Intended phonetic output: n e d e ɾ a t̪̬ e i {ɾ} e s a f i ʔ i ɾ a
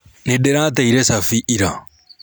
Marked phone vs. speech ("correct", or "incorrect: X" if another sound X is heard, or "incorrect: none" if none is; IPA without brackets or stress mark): correct